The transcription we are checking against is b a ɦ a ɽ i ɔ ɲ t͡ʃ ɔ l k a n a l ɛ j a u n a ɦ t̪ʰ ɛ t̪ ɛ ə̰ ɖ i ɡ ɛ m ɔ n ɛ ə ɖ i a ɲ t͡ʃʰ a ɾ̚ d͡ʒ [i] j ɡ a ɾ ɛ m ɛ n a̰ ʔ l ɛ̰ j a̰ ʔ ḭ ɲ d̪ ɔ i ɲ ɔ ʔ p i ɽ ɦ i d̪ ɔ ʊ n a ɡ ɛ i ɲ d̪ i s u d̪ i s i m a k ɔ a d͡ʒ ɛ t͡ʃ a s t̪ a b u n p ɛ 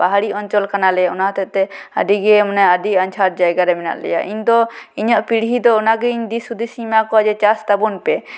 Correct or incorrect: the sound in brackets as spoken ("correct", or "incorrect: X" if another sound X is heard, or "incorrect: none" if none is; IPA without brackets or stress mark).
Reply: incorrect: a